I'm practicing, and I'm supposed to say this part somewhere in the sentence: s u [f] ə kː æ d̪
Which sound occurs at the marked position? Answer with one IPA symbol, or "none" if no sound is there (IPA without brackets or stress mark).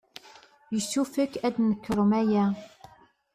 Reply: f